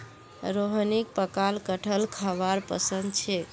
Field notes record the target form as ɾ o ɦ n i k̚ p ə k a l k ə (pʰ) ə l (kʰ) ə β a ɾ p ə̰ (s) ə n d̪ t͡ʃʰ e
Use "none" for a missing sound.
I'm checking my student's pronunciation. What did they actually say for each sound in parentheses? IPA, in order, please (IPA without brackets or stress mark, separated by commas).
ʈʰ, kʰ, s